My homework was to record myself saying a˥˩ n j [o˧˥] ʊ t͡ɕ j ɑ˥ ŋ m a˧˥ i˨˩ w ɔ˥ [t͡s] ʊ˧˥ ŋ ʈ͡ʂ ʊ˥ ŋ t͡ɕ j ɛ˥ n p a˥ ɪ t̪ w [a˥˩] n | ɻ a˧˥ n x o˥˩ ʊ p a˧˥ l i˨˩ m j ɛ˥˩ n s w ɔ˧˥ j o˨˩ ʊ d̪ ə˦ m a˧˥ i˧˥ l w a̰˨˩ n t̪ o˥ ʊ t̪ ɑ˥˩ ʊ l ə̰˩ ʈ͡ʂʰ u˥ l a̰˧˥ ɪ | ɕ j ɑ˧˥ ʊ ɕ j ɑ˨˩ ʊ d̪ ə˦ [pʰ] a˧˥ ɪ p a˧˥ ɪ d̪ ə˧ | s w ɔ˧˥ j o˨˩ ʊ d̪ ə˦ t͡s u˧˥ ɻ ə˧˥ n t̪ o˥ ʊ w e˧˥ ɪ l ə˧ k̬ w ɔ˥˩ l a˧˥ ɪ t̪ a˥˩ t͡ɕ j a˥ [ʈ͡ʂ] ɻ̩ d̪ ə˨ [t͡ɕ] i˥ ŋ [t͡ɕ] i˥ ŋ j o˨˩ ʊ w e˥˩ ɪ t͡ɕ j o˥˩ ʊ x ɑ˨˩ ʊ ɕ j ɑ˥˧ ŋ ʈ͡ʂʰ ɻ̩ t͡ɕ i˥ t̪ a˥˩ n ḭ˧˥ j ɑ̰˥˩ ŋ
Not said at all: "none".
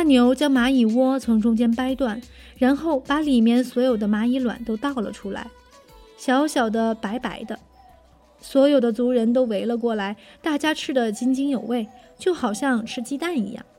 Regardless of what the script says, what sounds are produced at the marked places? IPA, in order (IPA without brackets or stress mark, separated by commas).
o˧˥, t͡sʰ, a˥˩, p, ʈ͡ʂʰ, t͡ɕ, t͡ɕ